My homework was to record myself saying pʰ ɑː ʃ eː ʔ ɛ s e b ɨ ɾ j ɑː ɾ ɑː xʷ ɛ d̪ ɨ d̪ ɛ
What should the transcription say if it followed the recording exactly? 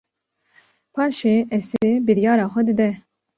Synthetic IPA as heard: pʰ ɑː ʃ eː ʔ ɛ s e b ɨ ɾ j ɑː ɾ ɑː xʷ ɛ d̪ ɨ d̪ ɛ